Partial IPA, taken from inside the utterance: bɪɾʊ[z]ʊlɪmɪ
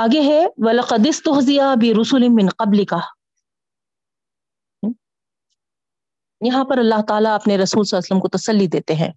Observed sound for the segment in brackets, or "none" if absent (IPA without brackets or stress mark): s